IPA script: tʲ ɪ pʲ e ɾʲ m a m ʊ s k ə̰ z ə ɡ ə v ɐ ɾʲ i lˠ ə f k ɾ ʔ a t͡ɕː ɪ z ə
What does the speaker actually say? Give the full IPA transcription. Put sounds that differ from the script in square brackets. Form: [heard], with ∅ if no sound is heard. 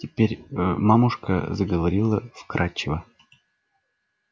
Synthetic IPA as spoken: tʲ ɪ pʲ e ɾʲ m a m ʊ [ʂ] k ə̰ z ə ɡ ə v ɐ ɾʲ i lˠ ə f k ɾ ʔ a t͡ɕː ɪ [v] ə